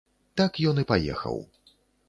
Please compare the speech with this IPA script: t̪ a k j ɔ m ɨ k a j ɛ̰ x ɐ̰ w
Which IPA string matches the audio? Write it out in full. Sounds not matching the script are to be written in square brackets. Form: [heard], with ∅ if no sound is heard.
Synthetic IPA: t̪ a k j ɔ [n] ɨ [p] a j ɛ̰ x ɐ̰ w